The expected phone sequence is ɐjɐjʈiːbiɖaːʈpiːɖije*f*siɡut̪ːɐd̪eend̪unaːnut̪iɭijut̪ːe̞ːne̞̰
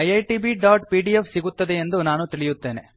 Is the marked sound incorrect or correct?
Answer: correct